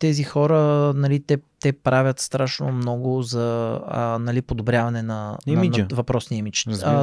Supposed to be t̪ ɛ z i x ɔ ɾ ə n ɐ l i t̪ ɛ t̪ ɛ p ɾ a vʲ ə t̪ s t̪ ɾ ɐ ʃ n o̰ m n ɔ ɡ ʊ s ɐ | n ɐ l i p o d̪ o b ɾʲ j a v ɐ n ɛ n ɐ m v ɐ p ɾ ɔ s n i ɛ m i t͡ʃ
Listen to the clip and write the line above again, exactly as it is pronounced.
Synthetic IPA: t̪ ɛ z i x ɔ ɾ ə n ɐ l i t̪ ɛ t̪ ɛ p ɾ a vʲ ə t̪ s t̪ ɾ a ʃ n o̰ m n ɔ ɡ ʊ z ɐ | n ɐ l i p o d̪ o b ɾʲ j a v ɐ n ɛ n ɐ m v ɐ p ɾ ɔ s n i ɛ m i t͡ʃ